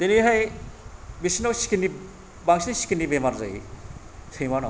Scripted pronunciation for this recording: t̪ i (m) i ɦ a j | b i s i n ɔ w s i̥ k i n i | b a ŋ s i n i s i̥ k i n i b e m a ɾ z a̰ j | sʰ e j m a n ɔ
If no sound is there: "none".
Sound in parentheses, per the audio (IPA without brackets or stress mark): n